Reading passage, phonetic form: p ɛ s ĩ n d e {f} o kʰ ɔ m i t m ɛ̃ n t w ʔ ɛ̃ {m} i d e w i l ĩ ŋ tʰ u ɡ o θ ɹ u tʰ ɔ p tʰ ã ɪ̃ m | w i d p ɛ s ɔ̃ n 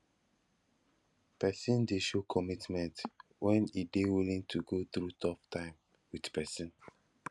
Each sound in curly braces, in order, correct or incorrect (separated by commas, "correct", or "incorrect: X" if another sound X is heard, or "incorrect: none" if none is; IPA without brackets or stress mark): incorrect: ʃ, incorrect: n